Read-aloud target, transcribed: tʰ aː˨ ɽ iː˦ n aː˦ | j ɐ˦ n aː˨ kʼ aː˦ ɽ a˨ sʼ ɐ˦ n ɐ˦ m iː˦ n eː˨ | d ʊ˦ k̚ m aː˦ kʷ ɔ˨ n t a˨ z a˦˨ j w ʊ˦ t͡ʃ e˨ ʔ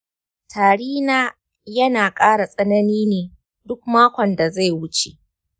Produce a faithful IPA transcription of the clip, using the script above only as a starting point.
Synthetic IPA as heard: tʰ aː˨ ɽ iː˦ n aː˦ | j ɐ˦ n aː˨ kʼ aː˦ ɽ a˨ sʼ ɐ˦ n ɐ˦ n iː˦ n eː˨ | d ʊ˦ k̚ m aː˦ kʷ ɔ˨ n d a˨ z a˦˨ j w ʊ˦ t͡ʃ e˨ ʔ